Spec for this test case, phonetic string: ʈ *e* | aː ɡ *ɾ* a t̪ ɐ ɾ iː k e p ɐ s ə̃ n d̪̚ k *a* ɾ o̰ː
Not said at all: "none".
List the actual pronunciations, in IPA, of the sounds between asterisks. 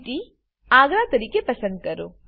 i, ɾ, ɐ

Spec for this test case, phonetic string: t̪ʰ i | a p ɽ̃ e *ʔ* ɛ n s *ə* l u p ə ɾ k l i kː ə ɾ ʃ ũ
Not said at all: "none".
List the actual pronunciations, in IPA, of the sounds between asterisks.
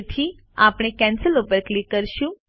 k, ə

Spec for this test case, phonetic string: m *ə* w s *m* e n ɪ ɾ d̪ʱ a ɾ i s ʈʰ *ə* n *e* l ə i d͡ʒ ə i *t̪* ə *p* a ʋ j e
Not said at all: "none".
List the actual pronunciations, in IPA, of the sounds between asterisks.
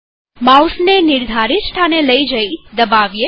a, n, a, e, d̪, b

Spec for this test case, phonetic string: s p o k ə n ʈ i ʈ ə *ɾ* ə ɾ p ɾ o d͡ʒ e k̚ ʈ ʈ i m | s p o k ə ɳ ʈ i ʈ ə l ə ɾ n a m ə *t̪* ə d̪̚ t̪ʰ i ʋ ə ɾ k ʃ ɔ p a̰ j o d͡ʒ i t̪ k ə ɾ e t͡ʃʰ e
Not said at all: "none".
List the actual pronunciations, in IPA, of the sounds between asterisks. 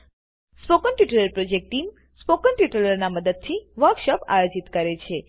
l, d̪

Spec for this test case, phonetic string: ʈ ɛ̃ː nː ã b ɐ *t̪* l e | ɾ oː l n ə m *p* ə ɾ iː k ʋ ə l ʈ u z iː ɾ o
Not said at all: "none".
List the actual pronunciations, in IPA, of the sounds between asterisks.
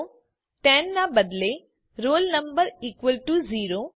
d̪, b

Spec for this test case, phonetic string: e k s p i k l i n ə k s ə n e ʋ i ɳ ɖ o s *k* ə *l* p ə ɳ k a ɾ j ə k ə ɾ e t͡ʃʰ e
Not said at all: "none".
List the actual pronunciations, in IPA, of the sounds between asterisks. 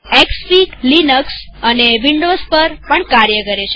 p, ɾ

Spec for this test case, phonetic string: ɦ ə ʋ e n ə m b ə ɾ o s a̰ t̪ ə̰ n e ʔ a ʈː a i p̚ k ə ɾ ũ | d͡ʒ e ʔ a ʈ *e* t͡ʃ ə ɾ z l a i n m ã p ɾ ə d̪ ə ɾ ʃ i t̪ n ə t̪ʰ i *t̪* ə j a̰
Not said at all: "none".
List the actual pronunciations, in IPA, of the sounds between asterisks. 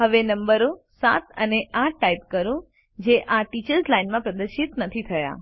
i, t̪ʰ

